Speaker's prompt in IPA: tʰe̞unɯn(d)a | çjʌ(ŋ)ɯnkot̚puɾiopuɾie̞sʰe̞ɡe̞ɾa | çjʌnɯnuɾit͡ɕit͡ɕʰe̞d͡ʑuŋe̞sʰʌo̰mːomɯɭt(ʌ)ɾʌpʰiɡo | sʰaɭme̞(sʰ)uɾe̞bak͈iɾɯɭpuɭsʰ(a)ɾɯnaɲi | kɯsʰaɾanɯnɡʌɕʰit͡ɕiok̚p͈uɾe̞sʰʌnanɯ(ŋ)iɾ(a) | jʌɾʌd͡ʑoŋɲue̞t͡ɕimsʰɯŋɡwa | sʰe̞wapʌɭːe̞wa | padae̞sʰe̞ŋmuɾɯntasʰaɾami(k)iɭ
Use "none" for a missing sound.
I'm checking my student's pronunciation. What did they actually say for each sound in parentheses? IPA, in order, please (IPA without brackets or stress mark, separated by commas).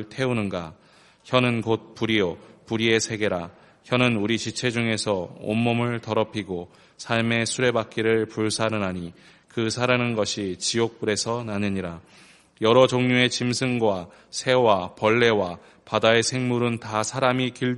ɡ, n, ʌ, sʰ, a, ɲ, a, k